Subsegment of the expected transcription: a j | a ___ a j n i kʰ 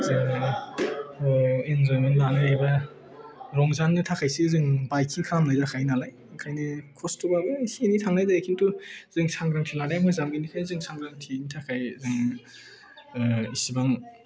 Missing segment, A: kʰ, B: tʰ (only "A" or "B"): A